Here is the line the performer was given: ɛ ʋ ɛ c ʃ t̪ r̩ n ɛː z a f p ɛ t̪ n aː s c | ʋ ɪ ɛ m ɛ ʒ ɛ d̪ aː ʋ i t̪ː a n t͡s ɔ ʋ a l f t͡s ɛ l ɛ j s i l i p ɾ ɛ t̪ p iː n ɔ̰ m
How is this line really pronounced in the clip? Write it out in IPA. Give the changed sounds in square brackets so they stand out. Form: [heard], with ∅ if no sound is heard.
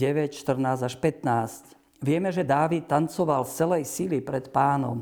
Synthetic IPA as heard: ɛ ʋ ɛ c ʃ t̪ r̩ n [aː] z a [ʃ] p ɛ t̪ n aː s c | ʋ ɪ ɛ m ɛ ʒ ɛ d̪ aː ʋ i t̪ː a n t͡s ɔ ʋ a l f t͡s ɛ l ɛ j s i l i p ɾ ɛ t̪ p [aː] n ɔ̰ m